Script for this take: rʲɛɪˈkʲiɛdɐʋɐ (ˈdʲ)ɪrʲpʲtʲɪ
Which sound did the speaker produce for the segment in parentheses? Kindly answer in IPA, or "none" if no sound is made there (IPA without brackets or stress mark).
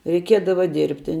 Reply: dʲ